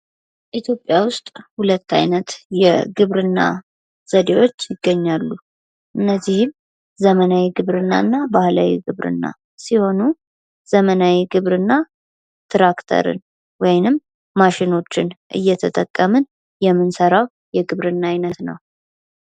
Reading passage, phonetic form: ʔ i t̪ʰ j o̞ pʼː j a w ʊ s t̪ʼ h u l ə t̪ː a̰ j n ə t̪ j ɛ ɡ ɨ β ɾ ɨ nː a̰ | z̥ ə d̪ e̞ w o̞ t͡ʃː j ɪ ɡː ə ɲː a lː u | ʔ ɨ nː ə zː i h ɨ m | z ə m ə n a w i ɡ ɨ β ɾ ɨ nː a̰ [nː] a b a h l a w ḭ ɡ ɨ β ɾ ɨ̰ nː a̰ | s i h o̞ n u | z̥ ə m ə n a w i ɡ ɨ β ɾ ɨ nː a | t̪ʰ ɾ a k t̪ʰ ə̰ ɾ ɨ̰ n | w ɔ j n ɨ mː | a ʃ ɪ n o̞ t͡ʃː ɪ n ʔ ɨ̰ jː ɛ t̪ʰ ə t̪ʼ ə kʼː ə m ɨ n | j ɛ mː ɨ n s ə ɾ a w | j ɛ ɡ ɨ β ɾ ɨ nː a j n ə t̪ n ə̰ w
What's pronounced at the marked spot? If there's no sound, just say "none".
nː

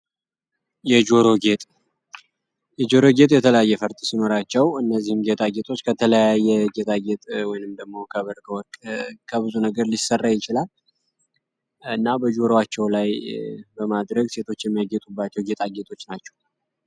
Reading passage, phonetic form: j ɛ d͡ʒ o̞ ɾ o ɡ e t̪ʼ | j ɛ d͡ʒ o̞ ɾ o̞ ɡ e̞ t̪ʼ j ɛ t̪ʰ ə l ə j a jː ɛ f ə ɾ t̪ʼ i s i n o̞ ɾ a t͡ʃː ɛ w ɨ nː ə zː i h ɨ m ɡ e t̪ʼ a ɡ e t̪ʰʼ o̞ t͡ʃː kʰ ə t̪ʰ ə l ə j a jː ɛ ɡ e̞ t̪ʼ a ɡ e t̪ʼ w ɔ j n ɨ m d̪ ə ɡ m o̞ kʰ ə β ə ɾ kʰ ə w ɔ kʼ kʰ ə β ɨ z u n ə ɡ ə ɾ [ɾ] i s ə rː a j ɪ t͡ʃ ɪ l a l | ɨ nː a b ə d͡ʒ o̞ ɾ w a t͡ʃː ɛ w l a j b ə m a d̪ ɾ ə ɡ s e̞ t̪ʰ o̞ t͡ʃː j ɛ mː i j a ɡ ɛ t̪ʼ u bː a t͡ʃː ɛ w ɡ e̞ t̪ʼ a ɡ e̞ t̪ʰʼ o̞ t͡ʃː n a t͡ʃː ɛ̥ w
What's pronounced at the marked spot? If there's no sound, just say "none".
l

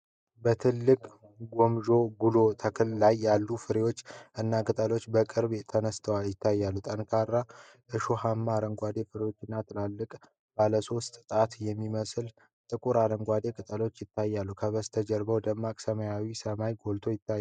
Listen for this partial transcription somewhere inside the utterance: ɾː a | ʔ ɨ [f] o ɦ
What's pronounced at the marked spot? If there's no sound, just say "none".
ʃ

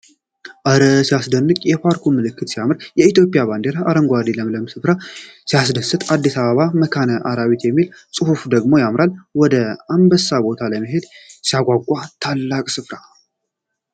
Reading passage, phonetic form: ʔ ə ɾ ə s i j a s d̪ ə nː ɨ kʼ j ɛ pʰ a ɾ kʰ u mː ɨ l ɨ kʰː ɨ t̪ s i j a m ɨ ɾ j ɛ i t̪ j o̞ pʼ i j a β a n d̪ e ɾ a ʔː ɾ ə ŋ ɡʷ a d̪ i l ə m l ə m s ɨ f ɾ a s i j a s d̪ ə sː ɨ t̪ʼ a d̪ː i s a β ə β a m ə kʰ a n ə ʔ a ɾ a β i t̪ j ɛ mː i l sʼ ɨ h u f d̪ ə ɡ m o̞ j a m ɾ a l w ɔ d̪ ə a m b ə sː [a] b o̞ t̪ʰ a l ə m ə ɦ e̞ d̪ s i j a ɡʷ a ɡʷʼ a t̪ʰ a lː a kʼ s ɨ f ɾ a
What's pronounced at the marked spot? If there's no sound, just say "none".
a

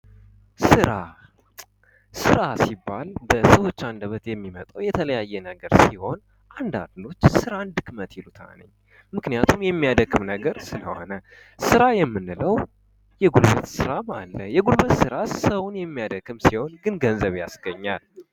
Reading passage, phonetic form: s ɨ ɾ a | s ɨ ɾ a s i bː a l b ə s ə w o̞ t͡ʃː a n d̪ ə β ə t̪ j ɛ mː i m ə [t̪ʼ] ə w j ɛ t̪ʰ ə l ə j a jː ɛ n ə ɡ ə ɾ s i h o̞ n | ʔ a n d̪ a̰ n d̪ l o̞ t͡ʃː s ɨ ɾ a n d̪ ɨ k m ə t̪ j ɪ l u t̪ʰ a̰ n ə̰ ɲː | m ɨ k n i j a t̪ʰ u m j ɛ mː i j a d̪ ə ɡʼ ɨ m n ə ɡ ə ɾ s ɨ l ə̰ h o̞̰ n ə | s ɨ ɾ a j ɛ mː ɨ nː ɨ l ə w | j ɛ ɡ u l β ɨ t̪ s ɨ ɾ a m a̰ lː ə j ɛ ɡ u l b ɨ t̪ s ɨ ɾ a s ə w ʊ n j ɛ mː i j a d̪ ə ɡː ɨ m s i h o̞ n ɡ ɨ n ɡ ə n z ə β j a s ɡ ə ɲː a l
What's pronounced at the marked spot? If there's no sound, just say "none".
t̪ʼ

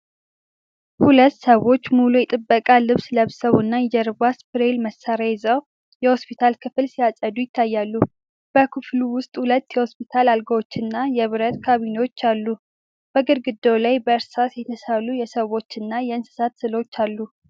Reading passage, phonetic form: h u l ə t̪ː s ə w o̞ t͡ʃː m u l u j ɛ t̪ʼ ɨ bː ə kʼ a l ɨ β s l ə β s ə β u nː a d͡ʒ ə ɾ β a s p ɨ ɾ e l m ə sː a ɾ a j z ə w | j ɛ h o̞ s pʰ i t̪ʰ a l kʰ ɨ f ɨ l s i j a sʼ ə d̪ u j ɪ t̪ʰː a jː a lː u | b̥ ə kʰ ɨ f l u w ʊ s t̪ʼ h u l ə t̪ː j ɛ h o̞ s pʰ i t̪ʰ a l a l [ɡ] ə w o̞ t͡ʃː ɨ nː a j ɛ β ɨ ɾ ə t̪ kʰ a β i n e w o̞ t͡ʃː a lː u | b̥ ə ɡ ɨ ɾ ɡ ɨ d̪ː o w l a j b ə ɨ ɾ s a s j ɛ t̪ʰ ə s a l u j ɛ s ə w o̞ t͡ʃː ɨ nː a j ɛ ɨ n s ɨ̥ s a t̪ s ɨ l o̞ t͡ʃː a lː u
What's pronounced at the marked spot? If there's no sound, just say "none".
ɡ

